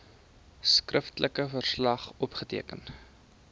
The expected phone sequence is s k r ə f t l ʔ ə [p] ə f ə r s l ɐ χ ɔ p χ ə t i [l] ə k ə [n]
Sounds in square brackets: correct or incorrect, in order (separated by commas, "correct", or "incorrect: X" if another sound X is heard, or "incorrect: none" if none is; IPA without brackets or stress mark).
incorrect: k, incorrect: none, correct